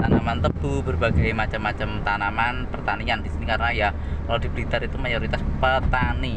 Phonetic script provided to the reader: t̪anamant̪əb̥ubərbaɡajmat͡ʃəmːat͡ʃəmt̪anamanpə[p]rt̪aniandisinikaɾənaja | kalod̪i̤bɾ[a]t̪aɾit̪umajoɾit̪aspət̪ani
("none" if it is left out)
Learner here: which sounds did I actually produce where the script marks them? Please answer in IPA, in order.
none, i

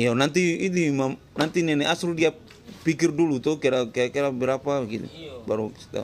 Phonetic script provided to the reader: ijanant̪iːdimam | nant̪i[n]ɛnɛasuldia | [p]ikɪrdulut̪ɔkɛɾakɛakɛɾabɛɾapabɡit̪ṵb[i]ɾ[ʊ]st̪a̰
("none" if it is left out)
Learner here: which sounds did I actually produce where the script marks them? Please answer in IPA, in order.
n, p, a, u

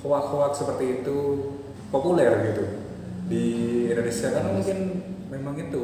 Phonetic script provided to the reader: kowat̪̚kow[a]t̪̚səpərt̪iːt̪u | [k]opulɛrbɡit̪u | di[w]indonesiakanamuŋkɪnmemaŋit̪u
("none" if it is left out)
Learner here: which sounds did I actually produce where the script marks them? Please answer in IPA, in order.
a, p, none

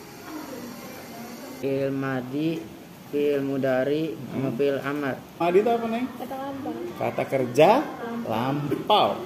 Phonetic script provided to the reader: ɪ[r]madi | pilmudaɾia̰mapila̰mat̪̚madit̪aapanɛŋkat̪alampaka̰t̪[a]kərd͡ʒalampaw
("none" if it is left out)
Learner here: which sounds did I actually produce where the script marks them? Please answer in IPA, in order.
l, a

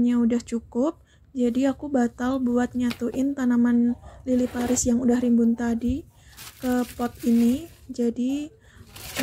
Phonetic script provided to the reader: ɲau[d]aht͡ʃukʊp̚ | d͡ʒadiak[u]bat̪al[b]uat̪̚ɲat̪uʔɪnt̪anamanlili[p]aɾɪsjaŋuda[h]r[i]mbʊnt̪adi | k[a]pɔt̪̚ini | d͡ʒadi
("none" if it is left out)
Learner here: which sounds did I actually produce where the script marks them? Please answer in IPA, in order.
d, u, b, p, h, i, ə

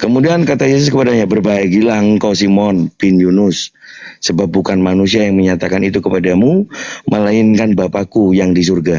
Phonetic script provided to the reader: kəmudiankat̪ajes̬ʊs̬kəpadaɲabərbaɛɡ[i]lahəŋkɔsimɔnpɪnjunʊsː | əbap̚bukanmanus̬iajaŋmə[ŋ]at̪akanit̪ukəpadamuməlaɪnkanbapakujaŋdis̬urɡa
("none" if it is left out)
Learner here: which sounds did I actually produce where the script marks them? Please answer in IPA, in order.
i, ɲ

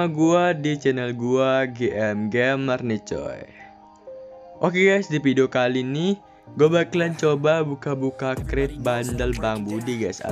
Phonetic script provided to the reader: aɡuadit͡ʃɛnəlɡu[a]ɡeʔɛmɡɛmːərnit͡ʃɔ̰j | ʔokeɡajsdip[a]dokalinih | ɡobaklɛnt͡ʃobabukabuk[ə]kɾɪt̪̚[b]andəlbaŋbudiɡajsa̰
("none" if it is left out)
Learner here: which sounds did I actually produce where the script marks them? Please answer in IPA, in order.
a, i, a, b

